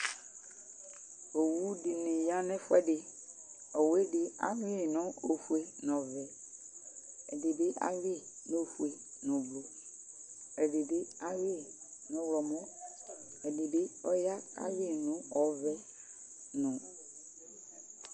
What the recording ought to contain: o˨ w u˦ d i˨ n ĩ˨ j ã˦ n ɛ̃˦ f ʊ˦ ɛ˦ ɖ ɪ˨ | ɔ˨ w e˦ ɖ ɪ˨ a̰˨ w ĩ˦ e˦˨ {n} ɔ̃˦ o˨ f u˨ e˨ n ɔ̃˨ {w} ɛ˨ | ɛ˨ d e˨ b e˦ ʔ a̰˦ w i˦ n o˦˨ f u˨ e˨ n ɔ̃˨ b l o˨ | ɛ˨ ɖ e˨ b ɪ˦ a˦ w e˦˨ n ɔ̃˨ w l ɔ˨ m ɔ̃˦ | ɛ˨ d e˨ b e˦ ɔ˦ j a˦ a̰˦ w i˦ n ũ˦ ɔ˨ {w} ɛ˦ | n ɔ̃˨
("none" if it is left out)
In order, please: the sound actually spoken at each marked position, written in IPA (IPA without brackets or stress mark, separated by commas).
n, v, v